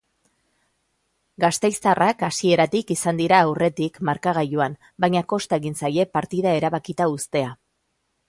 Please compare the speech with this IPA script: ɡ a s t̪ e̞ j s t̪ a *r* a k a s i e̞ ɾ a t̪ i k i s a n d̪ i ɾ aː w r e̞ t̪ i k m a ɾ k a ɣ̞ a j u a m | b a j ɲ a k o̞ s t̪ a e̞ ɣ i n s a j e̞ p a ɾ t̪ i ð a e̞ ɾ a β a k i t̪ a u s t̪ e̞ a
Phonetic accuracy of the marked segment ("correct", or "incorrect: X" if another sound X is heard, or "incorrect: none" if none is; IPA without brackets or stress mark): correct